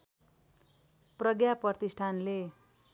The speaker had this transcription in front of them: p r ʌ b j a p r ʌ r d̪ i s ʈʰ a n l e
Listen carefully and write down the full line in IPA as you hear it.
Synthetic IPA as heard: p r ʌ ɡ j a p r ʌ r t̪ i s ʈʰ a n l e